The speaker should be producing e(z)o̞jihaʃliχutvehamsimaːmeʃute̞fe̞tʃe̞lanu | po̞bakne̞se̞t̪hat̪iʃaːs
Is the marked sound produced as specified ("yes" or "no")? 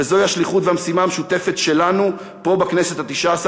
yes